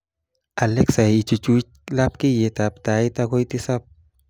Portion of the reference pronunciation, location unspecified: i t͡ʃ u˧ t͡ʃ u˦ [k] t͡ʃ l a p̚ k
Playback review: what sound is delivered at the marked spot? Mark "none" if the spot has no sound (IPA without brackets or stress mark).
none